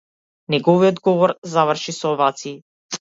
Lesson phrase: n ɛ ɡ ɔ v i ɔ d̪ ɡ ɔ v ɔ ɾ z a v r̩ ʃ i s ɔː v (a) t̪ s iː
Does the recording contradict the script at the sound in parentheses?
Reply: no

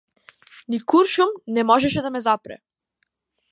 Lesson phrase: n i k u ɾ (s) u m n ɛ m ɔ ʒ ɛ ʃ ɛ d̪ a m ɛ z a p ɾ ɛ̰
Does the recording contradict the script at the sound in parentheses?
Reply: yes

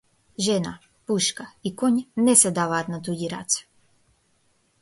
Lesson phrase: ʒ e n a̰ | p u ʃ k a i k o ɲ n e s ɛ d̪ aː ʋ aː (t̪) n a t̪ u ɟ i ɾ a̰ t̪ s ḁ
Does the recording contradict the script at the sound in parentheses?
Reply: no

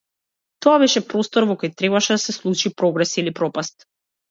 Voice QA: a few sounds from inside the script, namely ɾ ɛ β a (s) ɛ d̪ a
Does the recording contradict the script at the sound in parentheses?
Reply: yes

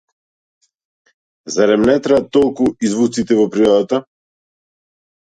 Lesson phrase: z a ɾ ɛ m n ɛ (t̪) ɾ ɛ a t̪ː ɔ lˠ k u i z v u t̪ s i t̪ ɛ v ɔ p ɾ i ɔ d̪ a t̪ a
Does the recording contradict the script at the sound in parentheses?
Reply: no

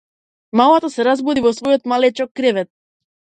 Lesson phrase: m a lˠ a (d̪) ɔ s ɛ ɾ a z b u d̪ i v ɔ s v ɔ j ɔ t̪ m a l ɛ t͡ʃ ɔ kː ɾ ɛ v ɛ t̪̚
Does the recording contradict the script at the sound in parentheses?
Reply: yes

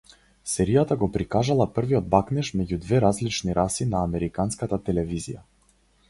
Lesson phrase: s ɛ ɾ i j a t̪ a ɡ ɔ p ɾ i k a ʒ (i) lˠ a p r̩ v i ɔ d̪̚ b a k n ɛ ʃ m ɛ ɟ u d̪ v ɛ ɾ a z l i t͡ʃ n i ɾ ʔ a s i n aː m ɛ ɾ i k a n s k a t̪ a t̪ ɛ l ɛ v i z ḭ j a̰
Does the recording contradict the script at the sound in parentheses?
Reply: yes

